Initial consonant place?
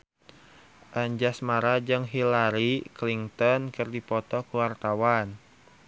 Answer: glottal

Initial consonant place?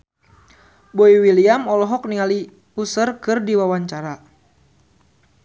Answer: labial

